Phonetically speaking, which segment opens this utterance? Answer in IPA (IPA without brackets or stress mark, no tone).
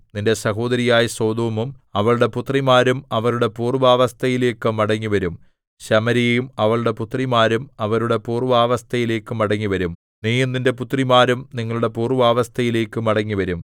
n